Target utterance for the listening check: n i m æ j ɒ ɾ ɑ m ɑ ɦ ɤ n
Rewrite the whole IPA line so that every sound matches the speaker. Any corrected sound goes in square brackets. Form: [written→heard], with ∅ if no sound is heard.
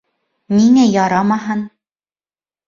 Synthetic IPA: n i [m→ŋ] æ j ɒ ɾ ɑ m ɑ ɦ ɤ n

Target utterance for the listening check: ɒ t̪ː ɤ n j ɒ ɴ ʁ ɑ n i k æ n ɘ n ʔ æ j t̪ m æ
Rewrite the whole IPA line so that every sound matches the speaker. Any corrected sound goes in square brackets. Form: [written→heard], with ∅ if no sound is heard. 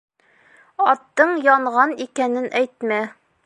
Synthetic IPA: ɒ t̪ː ɤ [n→ɴ] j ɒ ɴ ʁ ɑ n i k æ n ɘ n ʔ æ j t̪ m æ

